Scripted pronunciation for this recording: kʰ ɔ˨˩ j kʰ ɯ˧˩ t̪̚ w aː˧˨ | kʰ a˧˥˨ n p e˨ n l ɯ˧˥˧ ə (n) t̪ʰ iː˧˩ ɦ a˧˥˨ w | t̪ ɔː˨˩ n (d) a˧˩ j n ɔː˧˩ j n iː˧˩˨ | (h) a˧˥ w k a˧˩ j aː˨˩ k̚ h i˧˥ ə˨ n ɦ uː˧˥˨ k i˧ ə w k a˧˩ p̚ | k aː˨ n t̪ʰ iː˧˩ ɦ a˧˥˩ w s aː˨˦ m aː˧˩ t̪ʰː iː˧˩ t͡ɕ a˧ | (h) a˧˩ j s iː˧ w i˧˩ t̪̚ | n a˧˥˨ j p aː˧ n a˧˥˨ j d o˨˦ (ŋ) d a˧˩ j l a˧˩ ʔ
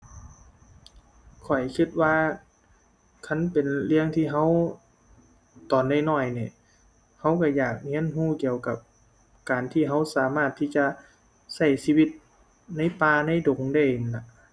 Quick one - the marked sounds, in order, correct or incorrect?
incorrect, correct, correct, incorrect, correct

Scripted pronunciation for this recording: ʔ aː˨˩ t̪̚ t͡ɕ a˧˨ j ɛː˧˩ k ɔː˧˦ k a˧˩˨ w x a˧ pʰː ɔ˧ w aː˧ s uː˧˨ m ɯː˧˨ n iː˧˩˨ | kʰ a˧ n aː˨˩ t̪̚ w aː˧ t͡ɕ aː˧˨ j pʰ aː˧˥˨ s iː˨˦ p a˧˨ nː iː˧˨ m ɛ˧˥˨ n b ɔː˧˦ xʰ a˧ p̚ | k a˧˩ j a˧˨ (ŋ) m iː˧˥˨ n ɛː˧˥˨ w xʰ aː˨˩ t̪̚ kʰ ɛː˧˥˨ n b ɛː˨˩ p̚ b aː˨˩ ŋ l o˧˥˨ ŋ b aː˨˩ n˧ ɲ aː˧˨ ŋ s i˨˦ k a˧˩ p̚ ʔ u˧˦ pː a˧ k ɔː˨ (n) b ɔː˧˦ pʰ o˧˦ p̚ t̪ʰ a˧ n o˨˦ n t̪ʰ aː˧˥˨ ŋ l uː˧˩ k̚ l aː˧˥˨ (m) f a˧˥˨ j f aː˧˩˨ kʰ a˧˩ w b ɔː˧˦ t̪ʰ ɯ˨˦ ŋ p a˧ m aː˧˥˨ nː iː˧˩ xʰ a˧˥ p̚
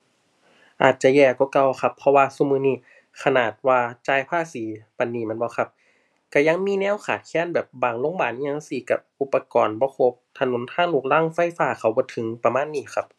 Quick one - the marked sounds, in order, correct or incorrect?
correct, correct, incorrect

